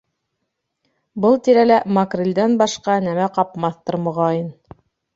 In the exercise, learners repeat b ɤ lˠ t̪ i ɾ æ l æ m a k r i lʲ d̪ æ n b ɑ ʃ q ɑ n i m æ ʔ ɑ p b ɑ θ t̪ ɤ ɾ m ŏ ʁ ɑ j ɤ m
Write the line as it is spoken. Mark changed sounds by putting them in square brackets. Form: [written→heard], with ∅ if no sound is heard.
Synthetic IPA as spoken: b ɤ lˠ t̪ i ɾ æ l æ m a k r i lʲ d̪ æ n b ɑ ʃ q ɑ n [i→æ] m æ [ʔ→q] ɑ p [b→m] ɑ θ t̪ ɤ ɾ m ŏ ʁ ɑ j ɤ [m→n]